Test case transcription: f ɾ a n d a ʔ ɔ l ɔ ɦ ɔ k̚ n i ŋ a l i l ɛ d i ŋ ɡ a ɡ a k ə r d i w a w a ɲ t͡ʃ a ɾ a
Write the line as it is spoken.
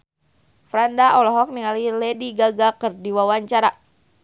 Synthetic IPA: f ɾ a n d a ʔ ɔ l ɔ ɦ ɔ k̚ n i ŋ a l i l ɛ d i ɡ a ɡ a k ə r d i w a w a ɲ t͡ʃ a ɾ a

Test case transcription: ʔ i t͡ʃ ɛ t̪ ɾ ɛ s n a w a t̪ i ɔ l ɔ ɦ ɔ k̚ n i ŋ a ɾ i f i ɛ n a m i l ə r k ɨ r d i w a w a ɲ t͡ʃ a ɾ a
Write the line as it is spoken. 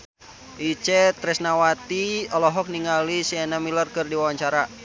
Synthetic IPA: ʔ i t͡ʃ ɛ t̪ ɾ ɛ s n a w a t̪ i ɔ l ɔ ɦ ɔ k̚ n i ŋ a l i s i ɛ n a m i l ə r k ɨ r d i w a w a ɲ t͡ʃ a ɾ a

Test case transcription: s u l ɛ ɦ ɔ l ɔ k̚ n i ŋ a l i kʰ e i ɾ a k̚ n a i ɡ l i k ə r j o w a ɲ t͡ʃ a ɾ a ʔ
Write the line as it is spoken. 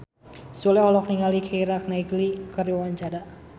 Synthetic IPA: s u l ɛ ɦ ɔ l ɔ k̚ n i ŋ a l i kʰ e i ɾ a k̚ n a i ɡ l i k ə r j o w a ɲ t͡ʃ a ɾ a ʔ

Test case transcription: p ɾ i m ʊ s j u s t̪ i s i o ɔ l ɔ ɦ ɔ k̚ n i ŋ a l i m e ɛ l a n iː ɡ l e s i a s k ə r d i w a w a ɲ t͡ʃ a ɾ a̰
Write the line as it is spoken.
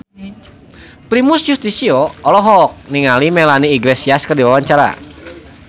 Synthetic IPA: p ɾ i m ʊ s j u s t̪ i s i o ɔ l ɔ ɦ ɔ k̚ n i ŋ a l i m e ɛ l a n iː ɡ l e s i a s k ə r d i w a w a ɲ t͡ʃ a ɾ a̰

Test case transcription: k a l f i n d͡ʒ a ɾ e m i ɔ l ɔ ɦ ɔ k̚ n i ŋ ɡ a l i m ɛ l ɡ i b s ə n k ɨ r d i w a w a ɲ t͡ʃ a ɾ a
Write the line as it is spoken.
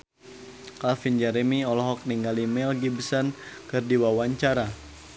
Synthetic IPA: k a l f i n d͡ʒ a ɾ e m i ɔ l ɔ ɦ ɔ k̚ n i ŋ ɡ a l i m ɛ l ɡ i b s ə n k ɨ r d i w a w a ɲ t͡ʃ a ɾ a

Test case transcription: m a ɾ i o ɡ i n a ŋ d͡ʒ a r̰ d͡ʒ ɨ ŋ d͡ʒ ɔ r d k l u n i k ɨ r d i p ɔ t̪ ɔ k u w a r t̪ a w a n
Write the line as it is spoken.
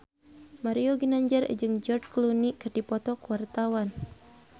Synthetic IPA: m a ɾ i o ɡ i n a ɲ d͡ʒ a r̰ d͡ʒ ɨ ŋ d͡ʒ ɔ r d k l u n i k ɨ r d i p ɔ t̪ ɔ k u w a r t̪ a w a n

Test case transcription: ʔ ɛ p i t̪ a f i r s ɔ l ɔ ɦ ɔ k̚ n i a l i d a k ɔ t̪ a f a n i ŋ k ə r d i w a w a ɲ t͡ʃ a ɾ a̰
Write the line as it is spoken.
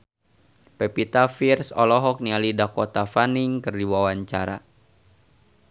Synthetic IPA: p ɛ p i t̪ a f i r s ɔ l ɔ ɦ ɔ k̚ n i a l i d a k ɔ t̪ a f a n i ŋ k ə r d i w a w a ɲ t͡ʃ a ɾ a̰

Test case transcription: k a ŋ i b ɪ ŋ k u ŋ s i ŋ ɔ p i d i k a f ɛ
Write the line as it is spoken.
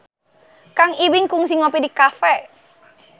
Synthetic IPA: k a ŋ i w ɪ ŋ k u ŋ s i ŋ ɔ p i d i k a f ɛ

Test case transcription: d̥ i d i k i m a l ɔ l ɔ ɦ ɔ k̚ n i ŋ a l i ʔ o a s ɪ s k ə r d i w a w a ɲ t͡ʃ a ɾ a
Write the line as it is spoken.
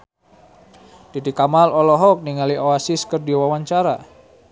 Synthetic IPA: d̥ i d i k a m a l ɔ l ɔ ɦ ɔ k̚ n i ŋ a l i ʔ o a s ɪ s k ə r d i w a w a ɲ t͡ʃ a ɾ a

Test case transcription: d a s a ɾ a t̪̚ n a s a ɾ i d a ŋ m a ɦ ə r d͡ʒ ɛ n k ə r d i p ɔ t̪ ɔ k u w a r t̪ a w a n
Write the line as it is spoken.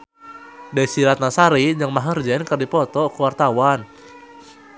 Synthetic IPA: d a s i ɾ a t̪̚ n a s a ɾ i d͡ʒ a ŋ m a ɦ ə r d͡ʒ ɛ n k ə r d i p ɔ t̪ ɔ k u w a r t̪ a w a n

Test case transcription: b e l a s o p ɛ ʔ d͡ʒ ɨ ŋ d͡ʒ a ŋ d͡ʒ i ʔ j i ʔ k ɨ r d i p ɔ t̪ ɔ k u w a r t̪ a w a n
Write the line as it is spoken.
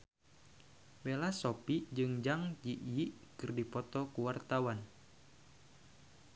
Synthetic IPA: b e l a s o p i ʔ d͡ʒ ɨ ŋ d͡ʒ a ŋ d͡ʒ i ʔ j i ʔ k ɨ r d i p ɔ t̪ ɔ k u w a r t̪ a w a n

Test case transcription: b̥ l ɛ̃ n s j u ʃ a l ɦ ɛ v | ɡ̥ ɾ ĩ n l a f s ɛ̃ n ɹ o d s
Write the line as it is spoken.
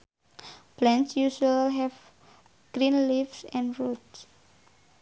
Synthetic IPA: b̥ l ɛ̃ n s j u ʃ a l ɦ ɛ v | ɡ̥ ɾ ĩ n l i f s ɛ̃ n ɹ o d s

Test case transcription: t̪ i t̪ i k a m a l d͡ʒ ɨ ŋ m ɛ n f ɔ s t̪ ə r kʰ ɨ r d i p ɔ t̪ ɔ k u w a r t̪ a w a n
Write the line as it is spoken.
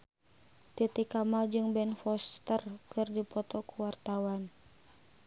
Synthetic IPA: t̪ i t̪ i k a m a l d͡ʒ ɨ ŋ b ɛ n f ɔ s t̪ ə r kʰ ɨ r d i p ɔ t̪ ɔ k u w a r t̪ a w a n

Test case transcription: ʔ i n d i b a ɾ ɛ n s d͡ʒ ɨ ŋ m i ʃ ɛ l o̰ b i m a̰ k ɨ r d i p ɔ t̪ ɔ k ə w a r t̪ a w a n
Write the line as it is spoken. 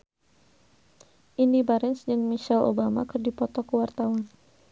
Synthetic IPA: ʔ i n d i b a ɾ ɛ n s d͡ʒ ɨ ŋ m i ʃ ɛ l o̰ b a m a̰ k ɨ r d i p ɔ t̪ ɔ k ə w a r t̪ a w a n

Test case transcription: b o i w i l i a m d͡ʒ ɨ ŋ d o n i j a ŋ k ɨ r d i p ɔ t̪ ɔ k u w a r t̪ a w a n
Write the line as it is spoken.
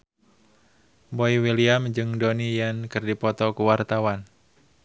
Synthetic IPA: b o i w i l i a m d͡ʒ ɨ ŋ d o n i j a n k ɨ r d i p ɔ t̪ ɔ k u w a r t̪ a w a n

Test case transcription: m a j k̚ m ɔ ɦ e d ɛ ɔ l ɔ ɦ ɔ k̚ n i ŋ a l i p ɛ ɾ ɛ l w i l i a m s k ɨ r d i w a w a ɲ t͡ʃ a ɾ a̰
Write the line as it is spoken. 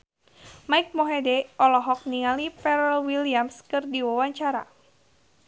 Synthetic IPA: m a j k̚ m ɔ ɦ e d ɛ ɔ l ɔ ɦ ɔ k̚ n i ŋ a l i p ɛ ɾ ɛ l w i l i a m s k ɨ r d i w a w a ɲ t͡ʃ a ɾ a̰

